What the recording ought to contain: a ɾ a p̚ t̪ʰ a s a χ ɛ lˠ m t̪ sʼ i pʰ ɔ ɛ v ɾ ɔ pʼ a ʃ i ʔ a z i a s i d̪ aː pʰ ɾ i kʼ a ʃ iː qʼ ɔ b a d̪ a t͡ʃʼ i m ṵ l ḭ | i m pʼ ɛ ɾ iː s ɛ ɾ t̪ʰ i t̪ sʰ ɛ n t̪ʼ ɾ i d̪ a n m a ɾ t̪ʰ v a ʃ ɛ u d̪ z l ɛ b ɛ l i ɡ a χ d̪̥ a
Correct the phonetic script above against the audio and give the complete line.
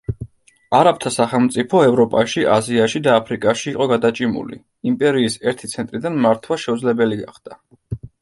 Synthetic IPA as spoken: a ɾ a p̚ t̪ʰ a s a χ ɛ lˠ m t̪ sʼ i pʰ ɔ ɛ v ɾ ɔ pʼ a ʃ i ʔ a z i a ʃ i d̪ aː pʰ ɾ i kʼ a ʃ iː qʼ ɔ ɡ a d̪ a t͡ʃʼ i m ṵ l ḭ | i m pʼ ɛ ɾ iː s ɛ ɾ t̪ʰ i t̪ sʰ ɛ n t̪ʼ ɾ i d̪ a n m a ɾ t̪ʰ w a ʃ ɛ u d̪ z l ɛ b ɛ l i ɡ a χ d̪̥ a